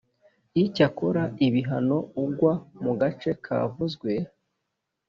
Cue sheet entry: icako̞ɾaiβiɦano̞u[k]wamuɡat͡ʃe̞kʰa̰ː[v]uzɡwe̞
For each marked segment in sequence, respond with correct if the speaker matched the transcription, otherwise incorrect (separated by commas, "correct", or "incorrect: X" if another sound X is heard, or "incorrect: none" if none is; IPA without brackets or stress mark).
incorrect: ɡ, correct